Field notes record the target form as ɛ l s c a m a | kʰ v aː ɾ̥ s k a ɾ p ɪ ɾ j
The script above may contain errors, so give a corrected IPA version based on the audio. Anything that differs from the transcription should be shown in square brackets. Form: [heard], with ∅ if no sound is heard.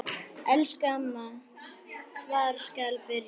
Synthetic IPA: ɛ l s [k] a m a | kʰ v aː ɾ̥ s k a [l] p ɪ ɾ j